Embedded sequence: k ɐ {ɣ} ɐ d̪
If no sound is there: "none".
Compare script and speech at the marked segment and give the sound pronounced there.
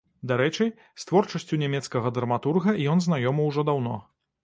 ɣ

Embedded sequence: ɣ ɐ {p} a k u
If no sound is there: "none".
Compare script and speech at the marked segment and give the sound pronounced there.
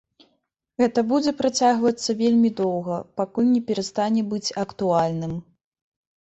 p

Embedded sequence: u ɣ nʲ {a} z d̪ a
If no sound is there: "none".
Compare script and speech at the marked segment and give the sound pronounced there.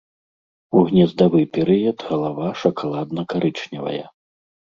ɛ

